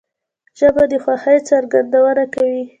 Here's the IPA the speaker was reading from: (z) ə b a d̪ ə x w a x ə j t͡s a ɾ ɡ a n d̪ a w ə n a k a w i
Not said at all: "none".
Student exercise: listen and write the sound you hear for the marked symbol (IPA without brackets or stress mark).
ʒ